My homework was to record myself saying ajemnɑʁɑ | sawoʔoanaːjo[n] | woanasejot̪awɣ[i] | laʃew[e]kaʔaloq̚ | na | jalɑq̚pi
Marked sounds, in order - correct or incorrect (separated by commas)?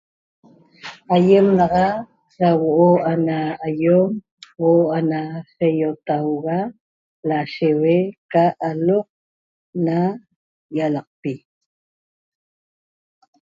incorrect, incorrect, correct